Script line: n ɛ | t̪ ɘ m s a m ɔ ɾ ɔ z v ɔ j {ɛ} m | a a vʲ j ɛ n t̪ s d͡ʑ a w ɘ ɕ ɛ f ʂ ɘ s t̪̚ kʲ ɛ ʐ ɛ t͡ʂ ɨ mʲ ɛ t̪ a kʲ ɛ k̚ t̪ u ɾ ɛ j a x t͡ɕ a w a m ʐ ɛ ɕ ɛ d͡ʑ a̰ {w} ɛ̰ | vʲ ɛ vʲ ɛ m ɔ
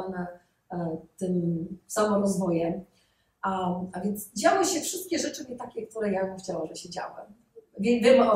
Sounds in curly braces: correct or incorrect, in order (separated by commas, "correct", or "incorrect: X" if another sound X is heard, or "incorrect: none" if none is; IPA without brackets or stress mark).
correct, correct